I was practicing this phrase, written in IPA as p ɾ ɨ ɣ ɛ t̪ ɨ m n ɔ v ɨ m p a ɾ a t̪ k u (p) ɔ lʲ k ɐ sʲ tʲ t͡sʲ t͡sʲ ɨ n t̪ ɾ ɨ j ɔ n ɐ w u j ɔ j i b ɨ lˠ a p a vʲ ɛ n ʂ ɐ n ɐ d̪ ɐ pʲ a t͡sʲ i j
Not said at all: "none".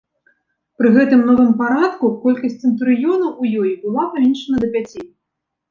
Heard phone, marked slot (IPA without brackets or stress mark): k